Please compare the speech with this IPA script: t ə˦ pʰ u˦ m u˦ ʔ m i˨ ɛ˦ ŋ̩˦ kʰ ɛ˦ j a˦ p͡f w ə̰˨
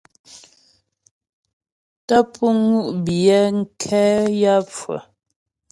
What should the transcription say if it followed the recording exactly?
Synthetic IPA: t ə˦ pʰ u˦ ŋ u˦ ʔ b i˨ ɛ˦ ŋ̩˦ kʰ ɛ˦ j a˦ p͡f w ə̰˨